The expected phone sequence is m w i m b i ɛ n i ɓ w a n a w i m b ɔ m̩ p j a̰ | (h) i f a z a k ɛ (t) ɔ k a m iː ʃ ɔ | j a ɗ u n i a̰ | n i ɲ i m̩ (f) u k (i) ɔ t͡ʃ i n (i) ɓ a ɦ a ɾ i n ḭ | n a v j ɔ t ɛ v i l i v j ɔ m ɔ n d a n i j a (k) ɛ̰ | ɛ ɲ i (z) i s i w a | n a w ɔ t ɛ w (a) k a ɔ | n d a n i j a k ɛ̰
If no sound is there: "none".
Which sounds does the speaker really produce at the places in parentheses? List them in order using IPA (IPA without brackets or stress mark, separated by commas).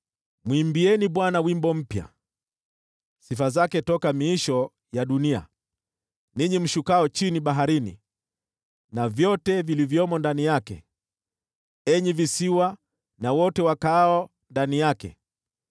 s, t, ʃ, a, i, k, v, a